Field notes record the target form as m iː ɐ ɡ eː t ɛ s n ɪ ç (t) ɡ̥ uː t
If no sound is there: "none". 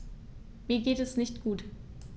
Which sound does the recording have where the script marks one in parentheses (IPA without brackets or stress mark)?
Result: t